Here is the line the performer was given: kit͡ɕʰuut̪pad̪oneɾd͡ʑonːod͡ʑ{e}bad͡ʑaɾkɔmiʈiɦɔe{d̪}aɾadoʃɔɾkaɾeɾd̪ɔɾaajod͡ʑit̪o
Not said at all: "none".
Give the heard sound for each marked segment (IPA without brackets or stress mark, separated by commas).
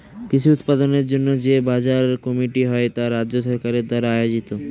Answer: e, t̪